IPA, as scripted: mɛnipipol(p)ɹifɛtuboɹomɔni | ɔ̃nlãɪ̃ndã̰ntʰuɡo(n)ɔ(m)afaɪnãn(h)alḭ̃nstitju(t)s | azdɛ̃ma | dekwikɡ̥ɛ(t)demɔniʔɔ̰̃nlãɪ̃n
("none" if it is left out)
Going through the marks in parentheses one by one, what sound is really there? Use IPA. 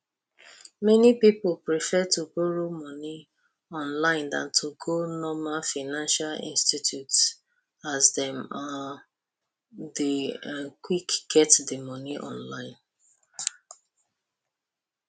p, n, m, ʃ, t, t

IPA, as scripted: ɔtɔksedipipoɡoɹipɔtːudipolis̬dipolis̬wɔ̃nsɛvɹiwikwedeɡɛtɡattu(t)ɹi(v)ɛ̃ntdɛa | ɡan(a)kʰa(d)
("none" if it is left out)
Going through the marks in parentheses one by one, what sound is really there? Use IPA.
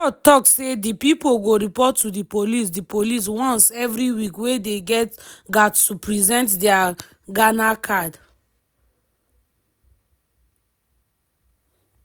p, z, a, d

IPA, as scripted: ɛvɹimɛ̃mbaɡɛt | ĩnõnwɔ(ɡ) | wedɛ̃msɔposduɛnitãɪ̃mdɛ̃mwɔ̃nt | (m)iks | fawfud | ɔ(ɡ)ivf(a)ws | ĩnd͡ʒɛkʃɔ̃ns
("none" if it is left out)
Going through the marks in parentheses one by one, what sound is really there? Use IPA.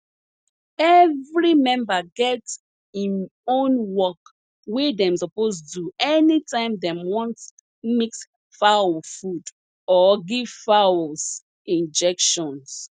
k, m, ɡ, a

